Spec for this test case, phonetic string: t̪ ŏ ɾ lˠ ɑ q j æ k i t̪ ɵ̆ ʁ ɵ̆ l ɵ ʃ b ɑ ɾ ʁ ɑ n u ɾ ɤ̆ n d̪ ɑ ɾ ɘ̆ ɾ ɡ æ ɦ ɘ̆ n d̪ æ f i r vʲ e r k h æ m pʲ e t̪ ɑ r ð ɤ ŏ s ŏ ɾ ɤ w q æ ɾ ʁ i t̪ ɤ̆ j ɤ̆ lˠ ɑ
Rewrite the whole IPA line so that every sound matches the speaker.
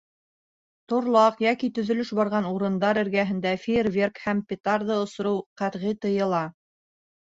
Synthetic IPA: t̪ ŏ ɾ lˠ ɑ q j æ k i t̪ ɵ̆ ð ɵ̆ l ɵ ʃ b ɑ ɾ ʁ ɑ n u ɾ ɤ̆ n d̪ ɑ ɾ ɘ̆ ɾ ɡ æ ɦ ɘ̆ n d̪ æ f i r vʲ e r k h æ m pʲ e t̪ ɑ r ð ɤ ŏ s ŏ ɾ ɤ w q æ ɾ ʁ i t̪ ɤ̆ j ɤ̆ lˠ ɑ